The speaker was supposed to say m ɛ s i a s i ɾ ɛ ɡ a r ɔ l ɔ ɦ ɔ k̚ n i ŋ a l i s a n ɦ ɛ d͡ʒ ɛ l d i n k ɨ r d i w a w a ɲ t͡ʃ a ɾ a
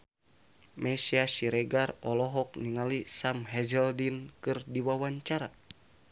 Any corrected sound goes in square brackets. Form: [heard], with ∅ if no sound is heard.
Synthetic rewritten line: m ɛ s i a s i ɾ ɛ ɡ a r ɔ l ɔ ɦ ɔ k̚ n i ŋ a l i s a [m] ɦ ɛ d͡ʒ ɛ l d i n k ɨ r d i w a w a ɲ t͡ʃ a ɾ a